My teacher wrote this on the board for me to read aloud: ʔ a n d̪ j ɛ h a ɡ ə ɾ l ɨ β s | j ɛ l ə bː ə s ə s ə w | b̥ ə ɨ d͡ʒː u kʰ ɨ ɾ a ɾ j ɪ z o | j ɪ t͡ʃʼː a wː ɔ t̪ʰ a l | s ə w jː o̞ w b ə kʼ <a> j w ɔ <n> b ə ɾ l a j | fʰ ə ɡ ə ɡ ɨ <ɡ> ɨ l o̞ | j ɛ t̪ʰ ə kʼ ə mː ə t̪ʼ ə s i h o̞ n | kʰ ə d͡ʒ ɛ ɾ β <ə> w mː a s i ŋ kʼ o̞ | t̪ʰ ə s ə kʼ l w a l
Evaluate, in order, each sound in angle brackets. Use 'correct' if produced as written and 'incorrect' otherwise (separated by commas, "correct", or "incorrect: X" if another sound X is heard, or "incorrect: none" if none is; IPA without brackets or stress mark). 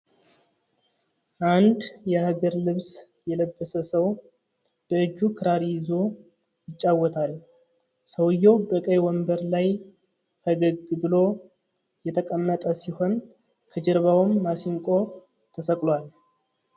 incorrect: ə, incorrect: m, incorrect: b, incorrect: a